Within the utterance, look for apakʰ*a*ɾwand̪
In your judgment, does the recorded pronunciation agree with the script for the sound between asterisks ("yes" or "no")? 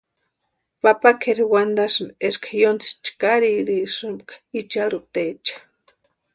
no